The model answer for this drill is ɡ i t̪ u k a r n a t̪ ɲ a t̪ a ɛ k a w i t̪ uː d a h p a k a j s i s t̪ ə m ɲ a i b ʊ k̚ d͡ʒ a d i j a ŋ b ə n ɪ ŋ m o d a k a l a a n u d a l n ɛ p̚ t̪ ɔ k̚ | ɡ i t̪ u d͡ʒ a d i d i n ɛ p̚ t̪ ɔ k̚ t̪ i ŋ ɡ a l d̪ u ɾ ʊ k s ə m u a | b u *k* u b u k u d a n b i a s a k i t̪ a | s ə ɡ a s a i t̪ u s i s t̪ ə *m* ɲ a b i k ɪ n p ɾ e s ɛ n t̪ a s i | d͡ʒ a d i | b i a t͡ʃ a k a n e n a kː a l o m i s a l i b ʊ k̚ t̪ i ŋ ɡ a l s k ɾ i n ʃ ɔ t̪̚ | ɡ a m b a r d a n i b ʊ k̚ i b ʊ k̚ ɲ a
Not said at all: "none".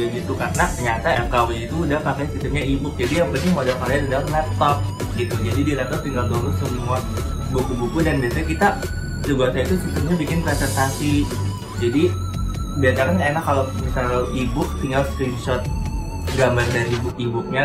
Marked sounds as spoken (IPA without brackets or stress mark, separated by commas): k, m